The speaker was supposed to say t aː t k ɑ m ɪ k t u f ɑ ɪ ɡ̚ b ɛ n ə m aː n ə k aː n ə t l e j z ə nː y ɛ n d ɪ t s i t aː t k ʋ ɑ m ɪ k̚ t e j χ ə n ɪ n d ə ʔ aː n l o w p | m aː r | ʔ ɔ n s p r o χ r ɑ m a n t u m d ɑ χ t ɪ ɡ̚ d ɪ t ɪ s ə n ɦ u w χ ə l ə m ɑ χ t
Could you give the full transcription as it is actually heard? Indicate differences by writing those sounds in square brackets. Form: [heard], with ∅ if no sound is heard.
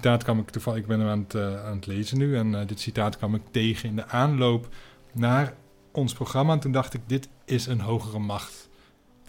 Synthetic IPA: t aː t k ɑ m ɪ k t u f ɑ ɪ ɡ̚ b ɛ n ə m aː n ə [t] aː n ə t l e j z ə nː y ɛ n d ɪ t s i t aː t k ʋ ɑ m ɪ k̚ t e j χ ə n ɪ n d ə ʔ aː n l o w p | [n] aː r | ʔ ɔ n s p r o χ r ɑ m a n t u [n] d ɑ χ t ɪ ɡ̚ d ɪ t ɪ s ə n ɦ [o] w χ ə [r] ə m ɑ χ t